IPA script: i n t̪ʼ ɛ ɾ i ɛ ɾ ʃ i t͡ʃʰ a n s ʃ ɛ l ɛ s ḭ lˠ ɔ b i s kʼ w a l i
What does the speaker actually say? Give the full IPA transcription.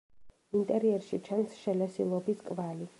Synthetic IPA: i n t̪ʼ ɛ ɾ i ɛ ɾ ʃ i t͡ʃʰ a n s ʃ ɛ l ɛ s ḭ lˠ ɔ b i s kʼ v a l i